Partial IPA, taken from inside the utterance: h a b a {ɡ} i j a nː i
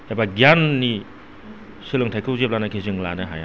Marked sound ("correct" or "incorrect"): correct